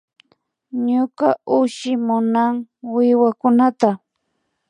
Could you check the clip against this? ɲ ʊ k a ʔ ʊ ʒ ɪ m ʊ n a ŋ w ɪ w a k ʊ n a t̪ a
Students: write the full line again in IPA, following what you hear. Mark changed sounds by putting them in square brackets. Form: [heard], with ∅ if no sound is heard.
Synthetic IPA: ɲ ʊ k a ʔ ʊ [ʃ] ɪ m ʊ n a ŋ w ɪ w a k ʊ n a t̪ a